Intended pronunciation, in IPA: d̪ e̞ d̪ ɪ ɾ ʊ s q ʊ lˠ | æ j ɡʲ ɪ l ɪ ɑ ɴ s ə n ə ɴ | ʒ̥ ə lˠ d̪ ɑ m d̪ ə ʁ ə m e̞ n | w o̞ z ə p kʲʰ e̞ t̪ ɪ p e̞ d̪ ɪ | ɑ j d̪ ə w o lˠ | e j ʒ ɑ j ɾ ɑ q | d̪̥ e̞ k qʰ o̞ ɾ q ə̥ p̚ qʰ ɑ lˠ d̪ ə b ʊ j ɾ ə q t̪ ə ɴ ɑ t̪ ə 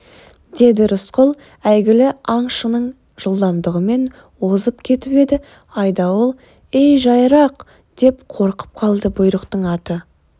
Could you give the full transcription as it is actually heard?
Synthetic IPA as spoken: d̪ e̞ d̪ ɪ ɾ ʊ s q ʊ lˠ | æ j ɡʲ ɪ l ɪ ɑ ɴ ʃ ə n ə ɴ | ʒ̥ ə lˠ d̪ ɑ m d̪ ə ʁ ə m e̞ n | w o̞ z ə p kʲʰ e̞ t̪ ɪ p e̞ d̪ ɪ | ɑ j d̪ ɑ w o lˠ | e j ʒ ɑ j ɾ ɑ q | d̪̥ e̞ p qʰ o̞ ɾ q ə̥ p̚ qʰ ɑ lˠ d̪ ə b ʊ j ɾ ə q t̪ ə ɴ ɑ t̪ ə

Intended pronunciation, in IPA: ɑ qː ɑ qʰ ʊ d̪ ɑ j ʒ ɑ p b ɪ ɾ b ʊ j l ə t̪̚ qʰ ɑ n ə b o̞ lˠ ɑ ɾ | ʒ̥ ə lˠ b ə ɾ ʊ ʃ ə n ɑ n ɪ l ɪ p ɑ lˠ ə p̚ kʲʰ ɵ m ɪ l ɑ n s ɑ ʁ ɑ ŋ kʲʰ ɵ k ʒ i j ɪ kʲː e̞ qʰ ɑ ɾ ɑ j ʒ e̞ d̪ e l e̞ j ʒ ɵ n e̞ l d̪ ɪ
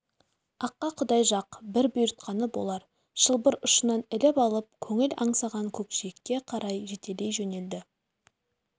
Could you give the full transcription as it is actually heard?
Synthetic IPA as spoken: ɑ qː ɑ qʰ ʊ d̪ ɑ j ʒ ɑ q b ɪ ɾ b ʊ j ɾ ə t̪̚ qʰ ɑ n ə b o̞ lˠ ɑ ɾ | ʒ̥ ə lˠ b ə ɾ ʊ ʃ ə n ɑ n ɪ l ɪ p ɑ lˠ ə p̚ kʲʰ ɵ ŋ ɪ l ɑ ɴ s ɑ ʁ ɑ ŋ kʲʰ ɵ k ʃ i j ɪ kʲː e̞ qʰ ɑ ɾ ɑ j ʒ e̞ t̪ e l e̞ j ʒ ɵ n e̞ l d̪ ɪ

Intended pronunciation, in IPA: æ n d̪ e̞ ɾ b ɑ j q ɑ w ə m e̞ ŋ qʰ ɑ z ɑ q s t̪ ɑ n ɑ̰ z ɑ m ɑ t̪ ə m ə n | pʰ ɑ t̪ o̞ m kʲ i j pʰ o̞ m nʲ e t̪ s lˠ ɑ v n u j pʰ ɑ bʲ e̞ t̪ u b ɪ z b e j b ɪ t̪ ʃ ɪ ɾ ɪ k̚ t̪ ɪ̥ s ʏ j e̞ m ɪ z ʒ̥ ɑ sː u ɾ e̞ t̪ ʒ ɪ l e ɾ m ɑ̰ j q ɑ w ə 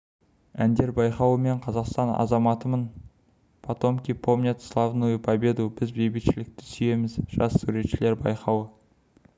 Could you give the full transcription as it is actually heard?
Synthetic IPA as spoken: æ n d̪ e̞ ɾ b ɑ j q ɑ w ə m e̞ ɴ qʰ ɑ z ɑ q s t̪ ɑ n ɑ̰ z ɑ m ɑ t̪ ə m ə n | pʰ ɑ t̪ o̞ m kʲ i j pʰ o̞ m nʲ e t̪ s lˠ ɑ v n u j pʰ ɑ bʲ e̞ d̪ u b ɪ z b e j b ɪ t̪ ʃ ɪ l ɪ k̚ t̪ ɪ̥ s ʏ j e̞ m ɪ z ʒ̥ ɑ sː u ɾ e̞ t̪ ʃ ɪ l e ɾ b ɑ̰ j q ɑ w ə

